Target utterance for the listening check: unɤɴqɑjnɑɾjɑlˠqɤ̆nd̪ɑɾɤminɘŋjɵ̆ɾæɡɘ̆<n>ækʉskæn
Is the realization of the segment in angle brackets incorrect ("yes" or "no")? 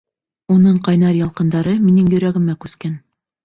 yes